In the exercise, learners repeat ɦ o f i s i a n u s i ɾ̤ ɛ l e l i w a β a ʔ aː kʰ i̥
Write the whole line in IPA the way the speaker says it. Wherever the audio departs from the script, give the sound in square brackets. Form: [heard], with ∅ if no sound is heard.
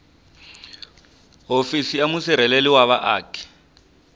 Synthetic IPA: ɦ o f i s i a [m] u s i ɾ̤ ɛ l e l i w a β a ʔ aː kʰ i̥